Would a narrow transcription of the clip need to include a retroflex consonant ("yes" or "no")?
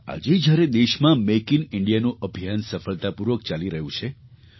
yes